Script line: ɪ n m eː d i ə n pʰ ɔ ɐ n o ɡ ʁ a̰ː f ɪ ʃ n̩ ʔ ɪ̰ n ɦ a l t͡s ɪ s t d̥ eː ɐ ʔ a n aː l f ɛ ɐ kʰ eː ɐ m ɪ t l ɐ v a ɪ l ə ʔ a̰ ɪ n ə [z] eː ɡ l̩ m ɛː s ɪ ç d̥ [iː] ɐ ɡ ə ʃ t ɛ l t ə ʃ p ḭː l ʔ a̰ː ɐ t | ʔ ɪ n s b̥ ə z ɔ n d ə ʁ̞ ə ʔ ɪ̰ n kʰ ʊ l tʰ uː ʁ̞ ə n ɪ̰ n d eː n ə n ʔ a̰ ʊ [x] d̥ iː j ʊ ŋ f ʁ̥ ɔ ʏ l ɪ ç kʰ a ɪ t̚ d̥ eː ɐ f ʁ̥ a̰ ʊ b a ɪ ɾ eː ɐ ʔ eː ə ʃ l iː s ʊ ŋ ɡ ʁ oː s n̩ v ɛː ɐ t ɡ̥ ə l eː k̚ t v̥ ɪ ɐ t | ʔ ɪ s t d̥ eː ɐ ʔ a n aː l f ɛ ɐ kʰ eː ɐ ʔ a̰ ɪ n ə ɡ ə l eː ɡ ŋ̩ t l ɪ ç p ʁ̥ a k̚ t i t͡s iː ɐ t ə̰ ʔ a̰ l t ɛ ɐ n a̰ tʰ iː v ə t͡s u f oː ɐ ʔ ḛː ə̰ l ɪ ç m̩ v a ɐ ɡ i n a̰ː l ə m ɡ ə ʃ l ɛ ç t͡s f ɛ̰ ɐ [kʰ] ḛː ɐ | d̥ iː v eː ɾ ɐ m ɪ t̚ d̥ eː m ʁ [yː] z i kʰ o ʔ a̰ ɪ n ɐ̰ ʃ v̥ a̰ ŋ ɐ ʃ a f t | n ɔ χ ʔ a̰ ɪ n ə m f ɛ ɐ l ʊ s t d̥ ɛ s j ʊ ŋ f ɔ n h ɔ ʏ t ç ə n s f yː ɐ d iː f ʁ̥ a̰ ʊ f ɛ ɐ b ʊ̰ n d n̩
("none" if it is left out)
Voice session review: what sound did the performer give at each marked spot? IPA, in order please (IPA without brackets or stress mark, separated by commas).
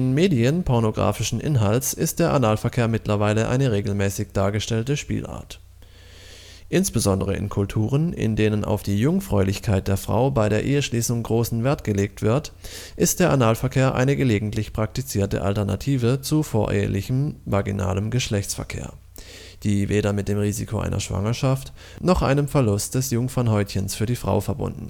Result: ʁ, aː, f, kʰ, iː